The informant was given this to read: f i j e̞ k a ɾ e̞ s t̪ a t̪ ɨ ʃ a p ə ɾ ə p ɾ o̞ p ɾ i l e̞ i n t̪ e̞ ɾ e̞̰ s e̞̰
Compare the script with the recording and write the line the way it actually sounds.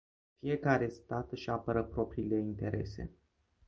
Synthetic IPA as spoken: f i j e̞ k a ɾ e̞ s t̪ a t̪ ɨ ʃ a p ə ɾ ə p ɾ o̞ p ɾ i l e̞ i n t̪ e̞ ɾ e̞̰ s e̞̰